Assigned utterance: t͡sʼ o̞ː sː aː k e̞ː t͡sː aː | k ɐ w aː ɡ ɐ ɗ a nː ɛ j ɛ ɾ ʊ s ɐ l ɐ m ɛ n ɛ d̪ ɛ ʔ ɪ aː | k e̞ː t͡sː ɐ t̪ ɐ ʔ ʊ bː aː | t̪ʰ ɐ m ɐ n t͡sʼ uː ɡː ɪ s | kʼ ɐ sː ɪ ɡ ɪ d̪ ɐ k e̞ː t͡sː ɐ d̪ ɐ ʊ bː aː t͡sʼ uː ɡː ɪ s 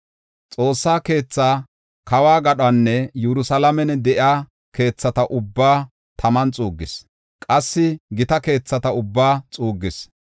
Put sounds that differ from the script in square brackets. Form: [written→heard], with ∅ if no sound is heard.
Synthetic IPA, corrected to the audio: t͡sʼ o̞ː sː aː k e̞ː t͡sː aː | k ɐ w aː ɡ ɐ ɗ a nː ɛ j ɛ ɾ ʊ s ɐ l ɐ m ɛ n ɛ d̪ ɛ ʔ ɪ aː | k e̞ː t͡sː ɐ t̪ ɐ ʔ ʊ bː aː | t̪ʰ ɐ m ɐ n t͡sʼ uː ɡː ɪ s | kʼ ɐ sː ɪ ɡ ɪ [d̪→t̪] ɐ k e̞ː t͡sː ɐ [d̪→t̪] ɐ ʊ bː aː t͡sʼ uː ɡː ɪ s